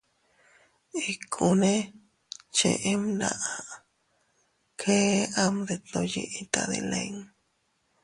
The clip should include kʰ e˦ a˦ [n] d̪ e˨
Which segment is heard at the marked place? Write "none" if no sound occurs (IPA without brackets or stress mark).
m